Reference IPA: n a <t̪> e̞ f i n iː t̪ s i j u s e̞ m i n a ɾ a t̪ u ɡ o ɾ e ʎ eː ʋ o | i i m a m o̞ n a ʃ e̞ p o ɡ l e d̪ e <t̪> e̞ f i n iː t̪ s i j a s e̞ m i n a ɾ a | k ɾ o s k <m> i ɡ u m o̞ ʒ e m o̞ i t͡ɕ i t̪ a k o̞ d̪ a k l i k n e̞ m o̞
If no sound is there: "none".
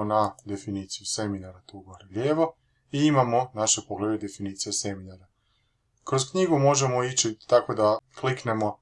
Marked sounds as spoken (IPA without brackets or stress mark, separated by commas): d̪, d̪, ɲ